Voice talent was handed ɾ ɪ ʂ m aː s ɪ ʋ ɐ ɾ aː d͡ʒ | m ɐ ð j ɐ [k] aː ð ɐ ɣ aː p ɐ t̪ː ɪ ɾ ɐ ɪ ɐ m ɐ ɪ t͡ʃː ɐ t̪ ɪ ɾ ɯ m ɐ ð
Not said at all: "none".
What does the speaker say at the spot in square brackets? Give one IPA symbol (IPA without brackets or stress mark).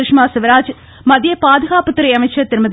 p